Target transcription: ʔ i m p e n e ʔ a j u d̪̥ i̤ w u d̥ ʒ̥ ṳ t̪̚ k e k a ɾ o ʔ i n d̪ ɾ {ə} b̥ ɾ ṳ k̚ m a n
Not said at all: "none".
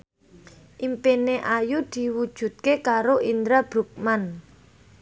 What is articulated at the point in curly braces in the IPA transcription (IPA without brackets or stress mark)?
a